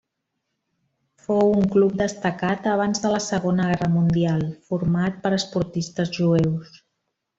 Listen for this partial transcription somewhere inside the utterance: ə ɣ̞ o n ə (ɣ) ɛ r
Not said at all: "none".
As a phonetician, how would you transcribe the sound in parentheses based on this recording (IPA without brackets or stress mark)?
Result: ɣ